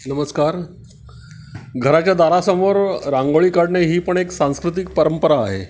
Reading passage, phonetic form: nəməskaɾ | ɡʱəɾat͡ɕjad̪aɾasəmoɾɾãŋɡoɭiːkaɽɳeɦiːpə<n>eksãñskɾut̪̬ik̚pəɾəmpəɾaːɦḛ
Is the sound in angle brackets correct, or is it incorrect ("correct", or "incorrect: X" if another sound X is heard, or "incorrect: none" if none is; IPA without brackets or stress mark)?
incorrect: ɳ